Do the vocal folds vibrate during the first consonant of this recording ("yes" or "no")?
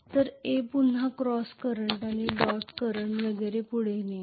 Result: no